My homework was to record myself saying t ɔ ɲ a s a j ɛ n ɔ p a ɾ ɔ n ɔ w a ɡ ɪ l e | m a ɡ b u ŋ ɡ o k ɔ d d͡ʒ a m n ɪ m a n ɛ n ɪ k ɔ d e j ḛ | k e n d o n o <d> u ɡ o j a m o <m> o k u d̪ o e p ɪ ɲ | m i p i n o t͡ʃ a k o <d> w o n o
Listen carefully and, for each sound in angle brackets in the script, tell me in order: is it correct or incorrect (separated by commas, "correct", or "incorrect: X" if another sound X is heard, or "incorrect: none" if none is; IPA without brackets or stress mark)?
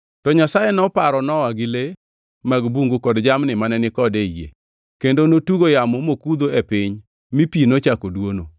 incorrect: t, correct, correct